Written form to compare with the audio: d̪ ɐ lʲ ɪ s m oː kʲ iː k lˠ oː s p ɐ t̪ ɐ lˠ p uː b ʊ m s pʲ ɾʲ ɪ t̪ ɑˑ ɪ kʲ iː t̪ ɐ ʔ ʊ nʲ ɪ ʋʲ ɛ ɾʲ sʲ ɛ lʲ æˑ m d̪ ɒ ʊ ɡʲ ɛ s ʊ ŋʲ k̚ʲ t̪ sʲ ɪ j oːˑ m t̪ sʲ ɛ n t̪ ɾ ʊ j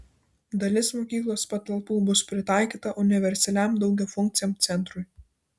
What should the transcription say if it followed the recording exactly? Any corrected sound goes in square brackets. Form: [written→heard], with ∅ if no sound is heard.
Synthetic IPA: d̪ ɐ lʲ ɪ s m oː kʲ iː k lˠ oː s p ɐ t̪ ɐ lˠ p uː b ʊ [m→∅] s pʲ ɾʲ ɪ t̪ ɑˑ ɪ kʲ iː t̪ ɐ ʔ ʊ nʲ ɪ ʋʲ ɛ ɾʲ sʲ ɛ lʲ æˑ m d̪ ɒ ʊ ɡʲ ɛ [s→f] ʊ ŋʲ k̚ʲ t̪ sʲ ɪ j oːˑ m t̪ sʲ ɛ n t̪ ɾ ʊ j

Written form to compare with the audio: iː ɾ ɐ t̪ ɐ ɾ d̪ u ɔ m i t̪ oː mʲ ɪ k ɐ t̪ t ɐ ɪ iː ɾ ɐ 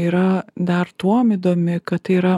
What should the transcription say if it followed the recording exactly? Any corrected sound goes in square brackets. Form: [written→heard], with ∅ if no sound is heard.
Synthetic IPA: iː ɾ ɐ [t̪→d̪] ɐ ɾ [d̪→t̪] u ɔ m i [t̪→d̪] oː mʲ ɪ k ɐ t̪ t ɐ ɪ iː ɾ ɐ

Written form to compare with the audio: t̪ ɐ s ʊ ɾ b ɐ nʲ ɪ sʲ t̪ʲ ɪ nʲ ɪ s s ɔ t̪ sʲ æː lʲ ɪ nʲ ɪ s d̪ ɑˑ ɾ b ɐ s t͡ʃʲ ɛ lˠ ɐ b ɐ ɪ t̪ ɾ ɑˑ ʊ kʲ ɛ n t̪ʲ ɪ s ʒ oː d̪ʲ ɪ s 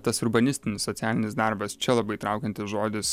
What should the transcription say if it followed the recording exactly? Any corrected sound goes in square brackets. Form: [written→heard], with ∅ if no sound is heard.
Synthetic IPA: t̪ ɐ s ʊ ɾ b ɐ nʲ ɪ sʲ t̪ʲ ɪ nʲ ɪ s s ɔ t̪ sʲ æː lʲ ɪ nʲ ɪ s d̪ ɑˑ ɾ b ɐ s t͡ʃʲ ɛ lˠ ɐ b ɐ ɪ t̪ ɾ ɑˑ ʊ kʲ ɛ n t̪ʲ ɪ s ʒ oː d̪ʲ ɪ s

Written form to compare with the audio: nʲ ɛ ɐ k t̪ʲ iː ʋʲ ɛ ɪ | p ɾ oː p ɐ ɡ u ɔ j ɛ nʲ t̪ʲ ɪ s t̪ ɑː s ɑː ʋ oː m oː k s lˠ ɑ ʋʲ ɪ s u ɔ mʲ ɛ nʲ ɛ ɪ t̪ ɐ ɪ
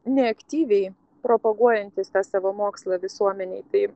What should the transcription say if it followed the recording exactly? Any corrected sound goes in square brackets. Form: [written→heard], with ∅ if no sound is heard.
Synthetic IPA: nʲ ɛ ɐ k t̪ʲ iː ʋʲ ɛ ɪ | p ɾ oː p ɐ ɡ u ɔ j ɛ nʲ t̪ʲ ɪ s t̪ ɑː s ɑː ʋ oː m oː k s lˠ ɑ ʋʲ ɪ s u ɔ mʲ ɛ nʲ ɛ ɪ t̪ ɐ ɪ

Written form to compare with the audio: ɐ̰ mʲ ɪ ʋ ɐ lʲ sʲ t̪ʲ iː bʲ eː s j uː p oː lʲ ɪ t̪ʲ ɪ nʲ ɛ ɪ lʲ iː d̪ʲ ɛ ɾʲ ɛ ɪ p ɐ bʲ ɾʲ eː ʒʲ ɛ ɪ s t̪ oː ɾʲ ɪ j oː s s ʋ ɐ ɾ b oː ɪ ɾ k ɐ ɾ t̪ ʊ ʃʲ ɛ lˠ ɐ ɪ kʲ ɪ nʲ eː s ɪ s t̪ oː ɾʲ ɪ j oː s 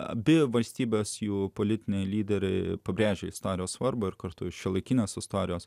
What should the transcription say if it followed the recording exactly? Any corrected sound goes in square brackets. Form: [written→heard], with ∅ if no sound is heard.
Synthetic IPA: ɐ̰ [mʲ→bʲ] ɪ ʋ ɐ lʲ sʲ t̪ʲ iː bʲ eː s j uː p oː lʲ ɪ t̪ʲ ɪ nʲ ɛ ɪ lʲ iː d̪ʲ ɛ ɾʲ ɛ ɪ p ɐ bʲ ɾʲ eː ʒʲ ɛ ɪ s t̪ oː ɾʲ ɪ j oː s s ʋ ɐ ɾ b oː ɪ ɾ k ɐ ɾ t̪ ʊ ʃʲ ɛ lˠ ɐ ɪ kʲ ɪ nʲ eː s ɪ s t̪ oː ɾʲ ɪ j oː s

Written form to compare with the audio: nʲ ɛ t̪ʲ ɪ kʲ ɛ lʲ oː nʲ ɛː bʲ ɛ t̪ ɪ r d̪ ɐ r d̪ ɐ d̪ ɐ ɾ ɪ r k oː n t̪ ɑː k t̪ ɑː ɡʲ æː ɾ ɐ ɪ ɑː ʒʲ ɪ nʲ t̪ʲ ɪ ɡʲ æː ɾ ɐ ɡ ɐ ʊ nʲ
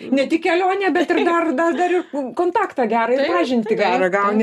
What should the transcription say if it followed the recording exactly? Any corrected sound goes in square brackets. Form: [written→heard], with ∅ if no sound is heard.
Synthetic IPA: nʲ ɛ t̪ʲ ɪ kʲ ɛ lʲ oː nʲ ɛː bʲ ɛ t̪ ɪ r d̪ ɐ r d̪ ɐ d̪ ɐ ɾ ɪ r k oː n t̪ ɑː k t̪ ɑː ɡʲ æː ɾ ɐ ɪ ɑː ʒʲ ɪ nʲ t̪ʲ ɪ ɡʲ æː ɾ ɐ ɡ ɐ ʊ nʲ

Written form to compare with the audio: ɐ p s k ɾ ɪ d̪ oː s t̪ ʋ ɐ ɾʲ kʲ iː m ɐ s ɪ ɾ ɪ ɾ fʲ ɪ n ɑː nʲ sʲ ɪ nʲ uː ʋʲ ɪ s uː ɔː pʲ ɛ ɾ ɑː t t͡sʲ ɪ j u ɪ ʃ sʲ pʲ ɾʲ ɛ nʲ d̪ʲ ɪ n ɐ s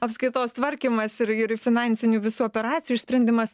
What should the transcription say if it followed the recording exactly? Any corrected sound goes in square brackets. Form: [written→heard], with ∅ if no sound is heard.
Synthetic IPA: ɐ p s k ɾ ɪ [d̪→t̪] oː s t̪ ʋ ɐ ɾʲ kʲ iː m ɐ s ɪ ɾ ɪ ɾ fʲ ɪ n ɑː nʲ sʲ ɪ nʲ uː ʋʲ ɪ s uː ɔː pʲ ɛ ɾ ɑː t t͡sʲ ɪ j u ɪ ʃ sʲ pʲ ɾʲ ɛ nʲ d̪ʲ ɪ [n→m] ɐ s

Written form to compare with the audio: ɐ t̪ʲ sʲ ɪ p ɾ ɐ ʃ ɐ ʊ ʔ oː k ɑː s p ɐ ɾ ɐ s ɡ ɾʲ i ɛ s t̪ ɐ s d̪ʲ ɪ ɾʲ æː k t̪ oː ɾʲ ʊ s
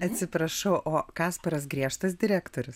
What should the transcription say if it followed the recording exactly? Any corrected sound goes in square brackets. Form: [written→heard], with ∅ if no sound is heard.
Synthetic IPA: ɐ t̪ʲ sʲ ɪ p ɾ ɐ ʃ ɐ ʊ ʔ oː k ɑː s p ɐ ɾ ɐ s ɡ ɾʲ i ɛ [s→ʃ] t̪ ɐ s d̪ʲ ɪ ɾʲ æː k t̪ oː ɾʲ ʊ s

